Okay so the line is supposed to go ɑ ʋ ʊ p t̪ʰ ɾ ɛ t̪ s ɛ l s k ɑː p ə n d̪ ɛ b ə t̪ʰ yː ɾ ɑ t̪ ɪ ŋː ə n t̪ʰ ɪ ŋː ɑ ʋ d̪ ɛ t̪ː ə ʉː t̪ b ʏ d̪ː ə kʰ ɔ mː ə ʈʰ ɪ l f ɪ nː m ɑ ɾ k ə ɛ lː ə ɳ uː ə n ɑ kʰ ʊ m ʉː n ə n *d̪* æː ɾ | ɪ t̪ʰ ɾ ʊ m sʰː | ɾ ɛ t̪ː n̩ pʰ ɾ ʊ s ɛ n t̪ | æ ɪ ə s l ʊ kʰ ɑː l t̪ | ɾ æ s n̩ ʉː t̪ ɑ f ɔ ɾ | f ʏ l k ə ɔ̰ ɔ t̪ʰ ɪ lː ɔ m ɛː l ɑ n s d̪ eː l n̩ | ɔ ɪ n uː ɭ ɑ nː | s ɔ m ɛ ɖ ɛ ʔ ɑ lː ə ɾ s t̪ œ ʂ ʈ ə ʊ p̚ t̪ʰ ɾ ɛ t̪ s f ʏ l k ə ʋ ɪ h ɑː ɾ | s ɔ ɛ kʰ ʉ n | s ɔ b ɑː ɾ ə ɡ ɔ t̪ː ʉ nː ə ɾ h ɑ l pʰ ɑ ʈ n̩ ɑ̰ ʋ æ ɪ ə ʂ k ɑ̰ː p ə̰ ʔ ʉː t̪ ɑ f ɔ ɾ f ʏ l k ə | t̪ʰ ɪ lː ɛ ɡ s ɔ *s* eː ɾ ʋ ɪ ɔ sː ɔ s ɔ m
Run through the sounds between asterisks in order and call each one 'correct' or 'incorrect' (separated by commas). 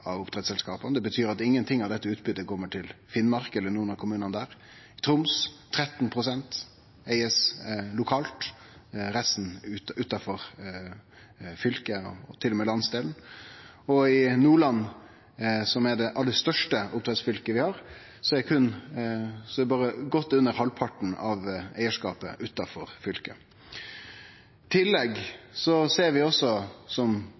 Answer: correct, correct